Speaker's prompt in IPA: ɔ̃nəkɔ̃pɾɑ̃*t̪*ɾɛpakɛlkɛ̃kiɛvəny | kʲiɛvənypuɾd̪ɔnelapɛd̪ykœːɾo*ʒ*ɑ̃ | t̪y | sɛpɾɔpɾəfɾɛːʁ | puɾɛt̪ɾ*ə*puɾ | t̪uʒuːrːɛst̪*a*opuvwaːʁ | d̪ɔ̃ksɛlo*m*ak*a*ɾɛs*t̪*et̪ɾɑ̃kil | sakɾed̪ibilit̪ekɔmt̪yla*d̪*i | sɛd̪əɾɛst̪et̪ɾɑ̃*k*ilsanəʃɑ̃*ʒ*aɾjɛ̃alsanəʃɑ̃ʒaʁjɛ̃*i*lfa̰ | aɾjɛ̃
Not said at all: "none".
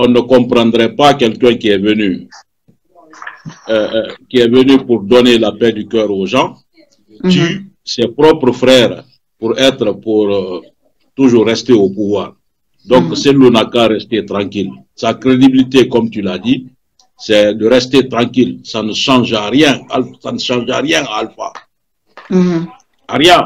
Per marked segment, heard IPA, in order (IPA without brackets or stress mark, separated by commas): d̪, ʒ, ə, e, n, a, t̪, d̪, k, ʒ, a